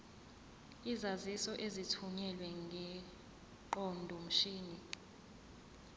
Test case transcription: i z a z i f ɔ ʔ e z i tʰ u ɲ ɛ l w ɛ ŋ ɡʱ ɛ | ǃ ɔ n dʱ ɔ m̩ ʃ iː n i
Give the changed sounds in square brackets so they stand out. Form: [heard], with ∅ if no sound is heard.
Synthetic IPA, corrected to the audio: i z a z i [s] ɔ ʔ e z i tʰ u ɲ ɛ l w ɛ ŋ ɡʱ ɛ | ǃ ɔ n dʱ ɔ m̩ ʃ iː n i